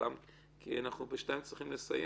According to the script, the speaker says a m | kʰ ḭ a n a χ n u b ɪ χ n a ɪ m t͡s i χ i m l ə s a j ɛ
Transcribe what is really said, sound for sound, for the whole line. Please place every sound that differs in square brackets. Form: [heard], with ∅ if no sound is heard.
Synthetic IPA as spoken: a m | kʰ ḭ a n a χ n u b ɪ [ʃ] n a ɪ m t͡s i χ i m l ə s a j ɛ